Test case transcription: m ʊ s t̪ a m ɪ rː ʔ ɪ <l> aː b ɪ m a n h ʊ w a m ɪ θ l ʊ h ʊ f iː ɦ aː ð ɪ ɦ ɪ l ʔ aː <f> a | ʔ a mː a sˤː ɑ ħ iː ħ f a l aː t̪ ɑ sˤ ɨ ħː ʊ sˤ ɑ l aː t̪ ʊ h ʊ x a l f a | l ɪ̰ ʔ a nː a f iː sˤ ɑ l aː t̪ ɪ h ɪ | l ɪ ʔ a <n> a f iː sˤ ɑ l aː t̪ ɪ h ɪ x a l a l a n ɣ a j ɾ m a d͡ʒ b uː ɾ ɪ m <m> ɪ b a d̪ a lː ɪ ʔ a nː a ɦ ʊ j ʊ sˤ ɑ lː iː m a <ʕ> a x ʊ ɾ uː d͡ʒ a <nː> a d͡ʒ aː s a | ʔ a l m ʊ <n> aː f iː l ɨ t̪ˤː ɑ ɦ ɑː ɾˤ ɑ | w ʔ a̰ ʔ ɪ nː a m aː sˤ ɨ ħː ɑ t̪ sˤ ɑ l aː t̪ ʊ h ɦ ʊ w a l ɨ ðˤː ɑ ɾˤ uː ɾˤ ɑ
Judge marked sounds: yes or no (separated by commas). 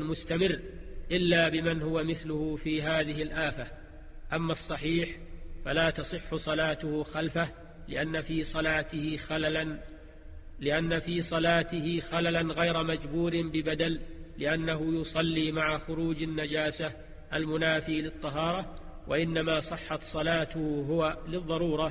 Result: no, yes, no, no, yes, yes, yes